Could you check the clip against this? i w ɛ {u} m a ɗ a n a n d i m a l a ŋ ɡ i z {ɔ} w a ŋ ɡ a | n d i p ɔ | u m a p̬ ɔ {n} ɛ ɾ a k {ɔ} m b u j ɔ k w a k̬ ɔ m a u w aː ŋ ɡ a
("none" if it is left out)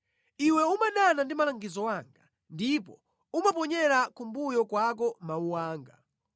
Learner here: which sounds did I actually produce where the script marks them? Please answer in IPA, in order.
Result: u, ɔ, ɲ, u

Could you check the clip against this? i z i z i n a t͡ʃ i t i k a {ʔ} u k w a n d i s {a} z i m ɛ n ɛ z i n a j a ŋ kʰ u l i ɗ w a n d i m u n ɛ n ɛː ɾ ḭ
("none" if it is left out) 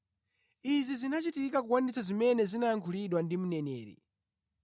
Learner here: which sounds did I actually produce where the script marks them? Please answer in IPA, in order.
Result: k, a

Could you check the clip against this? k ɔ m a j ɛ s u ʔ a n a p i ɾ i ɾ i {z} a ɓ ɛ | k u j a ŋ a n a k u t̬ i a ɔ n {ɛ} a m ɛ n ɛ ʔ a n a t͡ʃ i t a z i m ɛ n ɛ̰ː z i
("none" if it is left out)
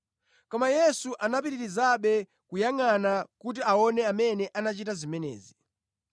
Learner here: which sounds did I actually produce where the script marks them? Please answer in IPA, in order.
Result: z, ɛ

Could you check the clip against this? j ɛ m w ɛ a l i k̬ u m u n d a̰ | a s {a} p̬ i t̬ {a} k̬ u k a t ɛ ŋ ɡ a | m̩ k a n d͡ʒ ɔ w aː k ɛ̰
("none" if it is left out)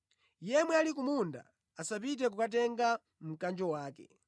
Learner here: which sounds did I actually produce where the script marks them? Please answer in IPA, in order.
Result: a, ɛ

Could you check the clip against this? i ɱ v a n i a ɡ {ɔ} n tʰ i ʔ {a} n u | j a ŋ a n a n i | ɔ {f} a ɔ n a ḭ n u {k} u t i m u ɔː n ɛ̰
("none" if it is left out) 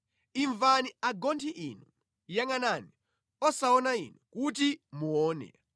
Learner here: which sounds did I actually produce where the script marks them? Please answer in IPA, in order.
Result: ɔ, i, s, k

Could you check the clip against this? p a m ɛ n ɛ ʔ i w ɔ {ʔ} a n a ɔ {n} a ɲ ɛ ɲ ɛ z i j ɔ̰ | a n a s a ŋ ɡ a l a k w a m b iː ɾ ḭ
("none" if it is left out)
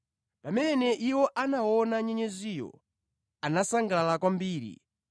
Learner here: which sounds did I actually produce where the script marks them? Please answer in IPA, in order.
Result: ʔ, n

